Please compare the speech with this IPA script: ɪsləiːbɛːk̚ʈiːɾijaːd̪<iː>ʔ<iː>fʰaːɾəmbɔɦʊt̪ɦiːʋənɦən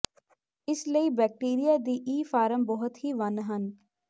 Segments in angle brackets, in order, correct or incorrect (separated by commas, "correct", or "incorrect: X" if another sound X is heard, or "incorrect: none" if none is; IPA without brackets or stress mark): correct, correct